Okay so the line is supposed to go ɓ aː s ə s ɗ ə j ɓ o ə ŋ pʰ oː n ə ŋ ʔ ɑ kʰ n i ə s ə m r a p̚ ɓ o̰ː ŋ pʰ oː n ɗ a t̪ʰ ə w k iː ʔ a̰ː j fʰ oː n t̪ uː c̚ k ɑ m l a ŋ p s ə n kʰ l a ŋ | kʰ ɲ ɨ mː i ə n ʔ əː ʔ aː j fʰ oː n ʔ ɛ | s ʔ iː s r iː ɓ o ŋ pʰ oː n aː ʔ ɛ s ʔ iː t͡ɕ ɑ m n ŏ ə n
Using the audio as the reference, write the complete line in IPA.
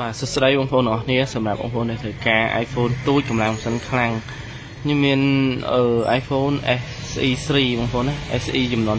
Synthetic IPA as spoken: ɓ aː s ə s ɗ ə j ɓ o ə ŋ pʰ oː n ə ŋ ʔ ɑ kʰ n i ə s ɑ m r a p̚ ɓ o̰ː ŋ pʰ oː n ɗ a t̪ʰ ə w k aː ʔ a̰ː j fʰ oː n t̪ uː c̚ k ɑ m l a ŋ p s ə n kʰ l a ŋ | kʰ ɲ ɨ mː i ə n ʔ əː ʔ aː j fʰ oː n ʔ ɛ | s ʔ iː s r iː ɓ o ŋ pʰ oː n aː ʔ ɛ s ʔ iː t͡ɕ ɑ m n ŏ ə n